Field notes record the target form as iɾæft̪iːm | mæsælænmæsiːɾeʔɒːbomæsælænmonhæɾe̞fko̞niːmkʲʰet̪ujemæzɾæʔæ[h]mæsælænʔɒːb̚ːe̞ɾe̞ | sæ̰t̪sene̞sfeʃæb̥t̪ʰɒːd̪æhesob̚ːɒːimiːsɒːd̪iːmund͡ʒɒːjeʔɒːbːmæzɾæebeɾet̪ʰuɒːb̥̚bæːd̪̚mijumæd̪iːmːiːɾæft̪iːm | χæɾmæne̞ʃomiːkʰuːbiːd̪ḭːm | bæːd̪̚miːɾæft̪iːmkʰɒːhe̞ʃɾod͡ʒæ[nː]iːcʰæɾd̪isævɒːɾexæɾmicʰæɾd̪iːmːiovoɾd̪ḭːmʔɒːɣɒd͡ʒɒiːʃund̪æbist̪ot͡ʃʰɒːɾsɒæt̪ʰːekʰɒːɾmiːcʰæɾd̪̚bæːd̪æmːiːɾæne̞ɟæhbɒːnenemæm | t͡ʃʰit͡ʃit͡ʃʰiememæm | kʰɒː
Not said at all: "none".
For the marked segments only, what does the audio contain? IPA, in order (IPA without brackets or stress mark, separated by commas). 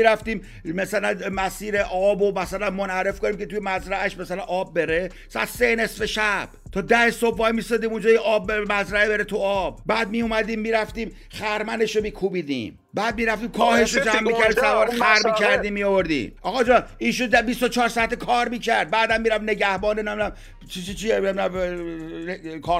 ʃ, mː